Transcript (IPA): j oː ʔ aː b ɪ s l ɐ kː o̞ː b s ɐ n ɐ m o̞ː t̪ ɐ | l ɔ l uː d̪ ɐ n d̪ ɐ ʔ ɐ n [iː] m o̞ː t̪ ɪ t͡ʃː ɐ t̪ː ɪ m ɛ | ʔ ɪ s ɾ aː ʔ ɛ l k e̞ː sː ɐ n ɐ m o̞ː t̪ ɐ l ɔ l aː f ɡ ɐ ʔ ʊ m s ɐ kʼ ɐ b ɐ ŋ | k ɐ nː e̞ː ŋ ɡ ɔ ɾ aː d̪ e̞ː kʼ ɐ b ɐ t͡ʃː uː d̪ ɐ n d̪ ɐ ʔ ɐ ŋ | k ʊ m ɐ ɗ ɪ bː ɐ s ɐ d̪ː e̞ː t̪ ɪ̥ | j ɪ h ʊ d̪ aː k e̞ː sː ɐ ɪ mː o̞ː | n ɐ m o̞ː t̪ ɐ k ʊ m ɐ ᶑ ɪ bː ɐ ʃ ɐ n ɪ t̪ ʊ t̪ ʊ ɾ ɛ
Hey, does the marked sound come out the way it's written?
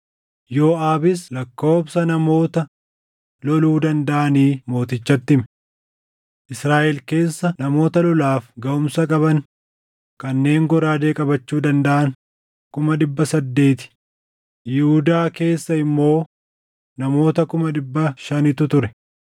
yes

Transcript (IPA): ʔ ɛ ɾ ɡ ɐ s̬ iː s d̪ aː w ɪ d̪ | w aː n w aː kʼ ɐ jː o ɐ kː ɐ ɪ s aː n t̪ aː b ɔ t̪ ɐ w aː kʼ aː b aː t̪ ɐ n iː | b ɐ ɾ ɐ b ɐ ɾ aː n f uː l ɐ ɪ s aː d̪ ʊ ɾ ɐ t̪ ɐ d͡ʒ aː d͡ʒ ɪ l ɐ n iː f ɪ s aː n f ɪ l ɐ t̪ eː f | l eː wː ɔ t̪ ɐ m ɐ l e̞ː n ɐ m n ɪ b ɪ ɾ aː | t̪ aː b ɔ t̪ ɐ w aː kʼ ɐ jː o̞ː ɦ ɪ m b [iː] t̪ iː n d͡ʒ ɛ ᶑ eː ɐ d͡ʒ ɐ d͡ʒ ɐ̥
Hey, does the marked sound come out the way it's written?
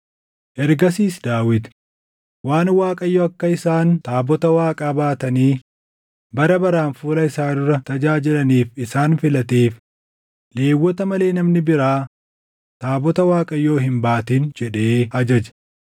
no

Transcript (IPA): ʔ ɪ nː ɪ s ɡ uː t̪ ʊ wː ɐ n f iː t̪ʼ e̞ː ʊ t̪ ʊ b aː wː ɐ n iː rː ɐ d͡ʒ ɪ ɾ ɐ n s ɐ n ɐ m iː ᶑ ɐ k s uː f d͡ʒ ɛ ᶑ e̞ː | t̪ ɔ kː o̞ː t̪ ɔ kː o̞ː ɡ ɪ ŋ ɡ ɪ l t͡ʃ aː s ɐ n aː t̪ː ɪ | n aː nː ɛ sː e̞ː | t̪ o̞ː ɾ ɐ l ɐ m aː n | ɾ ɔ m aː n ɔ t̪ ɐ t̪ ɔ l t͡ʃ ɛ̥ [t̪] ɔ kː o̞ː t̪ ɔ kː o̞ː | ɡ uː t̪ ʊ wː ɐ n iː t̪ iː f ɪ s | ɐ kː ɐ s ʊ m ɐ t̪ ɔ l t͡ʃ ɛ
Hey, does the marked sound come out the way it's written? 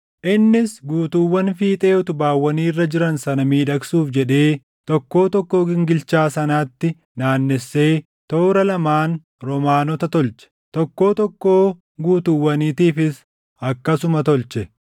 yes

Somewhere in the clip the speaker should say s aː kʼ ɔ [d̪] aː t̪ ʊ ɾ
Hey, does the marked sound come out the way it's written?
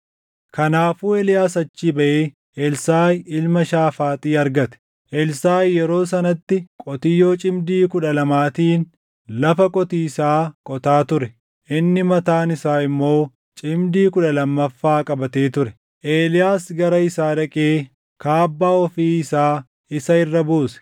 no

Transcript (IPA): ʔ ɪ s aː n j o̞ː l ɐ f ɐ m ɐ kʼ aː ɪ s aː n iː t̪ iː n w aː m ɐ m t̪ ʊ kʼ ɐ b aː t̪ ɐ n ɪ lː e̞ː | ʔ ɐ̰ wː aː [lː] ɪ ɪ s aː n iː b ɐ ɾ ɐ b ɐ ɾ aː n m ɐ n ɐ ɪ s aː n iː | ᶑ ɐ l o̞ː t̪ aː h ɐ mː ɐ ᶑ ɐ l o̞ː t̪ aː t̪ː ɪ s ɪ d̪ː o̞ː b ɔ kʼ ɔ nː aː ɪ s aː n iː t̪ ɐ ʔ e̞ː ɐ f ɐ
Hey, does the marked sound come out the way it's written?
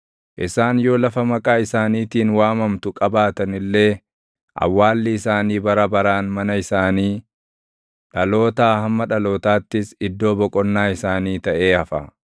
yes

